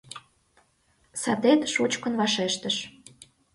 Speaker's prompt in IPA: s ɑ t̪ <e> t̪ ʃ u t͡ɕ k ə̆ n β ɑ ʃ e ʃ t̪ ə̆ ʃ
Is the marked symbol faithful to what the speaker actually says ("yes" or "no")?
yes